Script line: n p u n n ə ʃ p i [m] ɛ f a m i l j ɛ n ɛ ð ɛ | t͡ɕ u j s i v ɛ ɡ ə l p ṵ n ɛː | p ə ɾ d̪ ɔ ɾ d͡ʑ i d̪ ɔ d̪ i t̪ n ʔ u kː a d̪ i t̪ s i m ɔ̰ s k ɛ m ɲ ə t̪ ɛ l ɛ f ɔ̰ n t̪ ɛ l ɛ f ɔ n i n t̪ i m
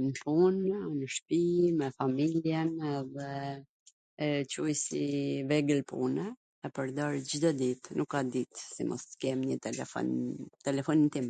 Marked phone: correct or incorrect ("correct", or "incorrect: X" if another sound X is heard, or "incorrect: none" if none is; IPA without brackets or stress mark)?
correct